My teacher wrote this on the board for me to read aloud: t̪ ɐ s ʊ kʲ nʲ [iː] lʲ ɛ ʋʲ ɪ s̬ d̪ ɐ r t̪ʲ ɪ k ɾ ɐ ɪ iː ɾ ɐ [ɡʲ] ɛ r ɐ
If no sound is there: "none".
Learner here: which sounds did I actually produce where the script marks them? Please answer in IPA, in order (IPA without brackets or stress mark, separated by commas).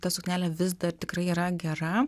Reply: æː, ɡʲ